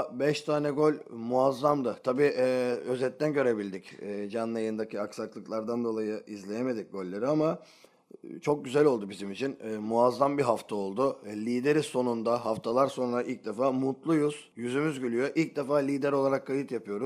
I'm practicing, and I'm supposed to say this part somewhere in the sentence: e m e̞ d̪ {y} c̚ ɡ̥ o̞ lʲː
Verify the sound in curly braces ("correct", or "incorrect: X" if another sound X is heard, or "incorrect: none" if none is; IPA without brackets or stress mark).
incorrect: i